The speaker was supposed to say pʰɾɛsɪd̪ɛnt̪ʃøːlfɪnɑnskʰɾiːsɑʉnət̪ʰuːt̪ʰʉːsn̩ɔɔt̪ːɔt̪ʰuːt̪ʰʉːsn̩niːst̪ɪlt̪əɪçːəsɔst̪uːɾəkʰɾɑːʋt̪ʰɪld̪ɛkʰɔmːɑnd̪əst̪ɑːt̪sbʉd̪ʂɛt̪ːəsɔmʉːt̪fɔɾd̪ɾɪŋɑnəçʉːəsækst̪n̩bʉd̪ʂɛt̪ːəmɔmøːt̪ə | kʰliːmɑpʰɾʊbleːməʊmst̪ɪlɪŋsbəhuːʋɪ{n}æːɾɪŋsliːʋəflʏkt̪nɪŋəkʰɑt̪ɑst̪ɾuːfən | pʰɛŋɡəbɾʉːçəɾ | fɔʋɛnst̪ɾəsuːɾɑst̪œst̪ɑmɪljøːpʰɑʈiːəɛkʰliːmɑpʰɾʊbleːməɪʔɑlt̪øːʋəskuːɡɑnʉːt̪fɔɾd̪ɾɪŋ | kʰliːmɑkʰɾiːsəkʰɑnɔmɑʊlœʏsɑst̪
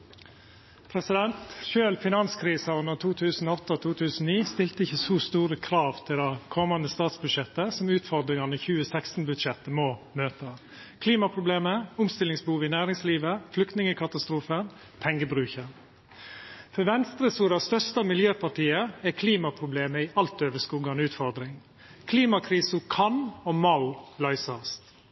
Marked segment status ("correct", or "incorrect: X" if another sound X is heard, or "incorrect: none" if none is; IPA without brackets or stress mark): correct